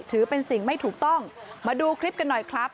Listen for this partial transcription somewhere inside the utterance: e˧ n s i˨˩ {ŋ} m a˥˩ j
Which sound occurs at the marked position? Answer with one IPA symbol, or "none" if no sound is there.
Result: ŋ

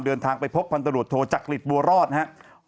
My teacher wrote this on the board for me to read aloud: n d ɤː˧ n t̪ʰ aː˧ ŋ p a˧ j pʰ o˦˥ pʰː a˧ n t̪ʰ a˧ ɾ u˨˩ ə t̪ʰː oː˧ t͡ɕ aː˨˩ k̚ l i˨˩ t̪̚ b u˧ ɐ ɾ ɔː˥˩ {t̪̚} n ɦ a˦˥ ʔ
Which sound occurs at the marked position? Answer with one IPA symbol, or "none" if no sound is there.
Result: t̪̚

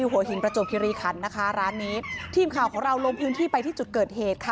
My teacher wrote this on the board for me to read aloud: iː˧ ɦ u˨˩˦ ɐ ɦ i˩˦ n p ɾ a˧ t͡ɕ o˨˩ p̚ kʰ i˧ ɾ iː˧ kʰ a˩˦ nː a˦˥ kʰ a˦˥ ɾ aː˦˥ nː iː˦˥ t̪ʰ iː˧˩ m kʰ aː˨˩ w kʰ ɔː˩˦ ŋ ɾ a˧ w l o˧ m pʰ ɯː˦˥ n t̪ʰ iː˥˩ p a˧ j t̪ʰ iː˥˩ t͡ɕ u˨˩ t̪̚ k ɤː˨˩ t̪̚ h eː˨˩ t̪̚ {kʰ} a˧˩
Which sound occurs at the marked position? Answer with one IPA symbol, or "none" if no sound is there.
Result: kʰ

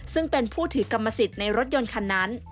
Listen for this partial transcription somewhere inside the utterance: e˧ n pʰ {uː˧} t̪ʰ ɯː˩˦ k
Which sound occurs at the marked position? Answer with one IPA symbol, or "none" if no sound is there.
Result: uː˥˩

